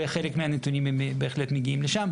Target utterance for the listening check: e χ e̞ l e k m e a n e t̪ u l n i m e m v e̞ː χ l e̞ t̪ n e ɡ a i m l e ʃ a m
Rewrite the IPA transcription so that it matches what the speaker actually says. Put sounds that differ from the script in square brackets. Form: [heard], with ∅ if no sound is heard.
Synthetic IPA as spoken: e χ e̞ l e k m e a n e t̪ u [∅] n i m e m [b] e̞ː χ l e̞ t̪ [m] e ɡ [i] i m l e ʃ a m